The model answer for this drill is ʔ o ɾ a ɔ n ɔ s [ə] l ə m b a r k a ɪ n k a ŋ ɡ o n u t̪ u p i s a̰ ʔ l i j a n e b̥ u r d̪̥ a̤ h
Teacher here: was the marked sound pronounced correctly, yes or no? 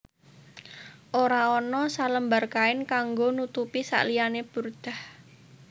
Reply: no